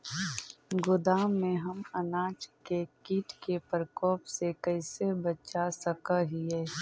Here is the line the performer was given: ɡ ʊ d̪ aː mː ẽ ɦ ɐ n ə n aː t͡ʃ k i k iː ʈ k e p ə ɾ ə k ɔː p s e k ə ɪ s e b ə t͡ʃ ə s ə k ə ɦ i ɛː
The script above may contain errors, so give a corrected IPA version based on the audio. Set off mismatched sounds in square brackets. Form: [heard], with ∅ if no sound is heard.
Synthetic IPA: ɡ ʊ d̪ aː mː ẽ ɦ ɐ [m] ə n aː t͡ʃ k [e] k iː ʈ k e p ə ɾ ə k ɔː p s e k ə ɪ s e b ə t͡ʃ [a] s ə k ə ɦ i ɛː